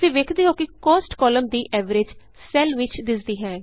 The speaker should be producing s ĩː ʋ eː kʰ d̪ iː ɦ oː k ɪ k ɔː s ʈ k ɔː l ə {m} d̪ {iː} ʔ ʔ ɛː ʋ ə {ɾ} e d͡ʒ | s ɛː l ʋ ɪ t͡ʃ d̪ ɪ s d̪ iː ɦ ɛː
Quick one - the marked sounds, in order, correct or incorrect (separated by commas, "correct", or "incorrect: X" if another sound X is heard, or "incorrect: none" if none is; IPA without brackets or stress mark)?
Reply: correct, correct, correct